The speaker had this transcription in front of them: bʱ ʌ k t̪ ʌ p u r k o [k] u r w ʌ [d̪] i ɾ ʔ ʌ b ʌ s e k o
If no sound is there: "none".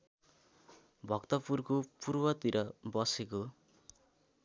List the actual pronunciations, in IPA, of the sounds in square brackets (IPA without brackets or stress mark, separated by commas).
p, t̪